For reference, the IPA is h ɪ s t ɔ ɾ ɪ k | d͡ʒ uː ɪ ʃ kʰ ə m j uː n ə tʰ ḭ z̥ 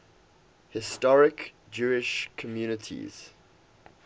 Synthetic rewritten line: h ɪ s t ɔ ɹ ɪ k | d͡ʒ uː ɪ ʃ kʰ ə m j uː n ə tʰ ḭ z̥